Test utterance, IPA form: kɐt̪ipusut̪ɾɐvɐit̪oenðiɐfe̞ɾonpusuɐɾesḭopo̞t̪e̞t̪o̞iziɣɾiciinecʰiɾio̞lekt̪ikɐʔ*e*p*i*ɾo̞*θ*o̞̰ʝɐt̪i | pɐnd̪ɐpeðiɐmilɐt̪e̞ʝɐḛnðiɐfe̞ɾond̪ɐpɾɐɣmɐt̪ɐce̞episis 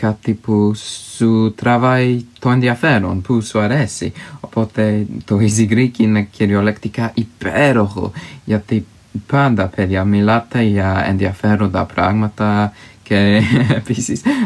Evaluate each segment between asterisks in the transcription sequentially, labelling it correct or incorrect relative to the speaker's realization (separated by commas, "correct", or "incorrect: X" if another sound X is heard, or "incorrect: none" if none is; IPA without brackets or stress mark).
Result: incorrect: i, incorrect: e, incorrect: x